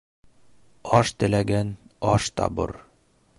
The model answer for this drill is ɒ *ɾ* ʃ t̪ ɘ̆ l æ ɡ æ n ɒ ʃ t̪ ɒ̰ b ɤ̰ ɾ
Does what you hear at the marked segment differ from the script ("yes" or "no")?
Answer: yes